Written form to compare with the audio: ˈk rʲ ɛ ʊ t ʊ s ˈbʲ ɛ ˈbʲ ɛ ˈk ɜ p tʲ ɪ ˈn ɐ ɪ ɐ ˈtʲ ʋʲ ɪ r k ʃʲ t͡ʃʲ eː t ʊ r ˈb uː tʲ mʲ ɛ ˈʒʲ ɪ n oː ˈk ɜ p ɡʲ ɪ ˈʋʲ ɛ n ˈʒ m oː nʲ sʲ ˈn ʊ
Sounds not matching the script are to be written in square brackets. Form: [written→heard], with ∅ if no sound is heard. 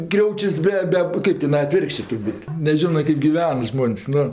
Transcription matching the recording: ˈk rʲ ɛ ʊ [t→t͡ʃʲ] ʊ s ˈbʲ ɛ ˈbʲ ɛ ˈk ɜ p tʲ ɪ ˈn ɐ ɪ ɐ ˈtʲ ʋʲ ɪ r k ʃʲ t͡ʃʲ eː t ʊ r ˈb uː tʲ [mʲ→nʲ] ɛ ˈʒʲ ɪ n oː ˈk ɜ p ɡʲ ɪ ˈʋʲ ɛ n ˈʒ m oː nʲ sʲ ˈn ʊ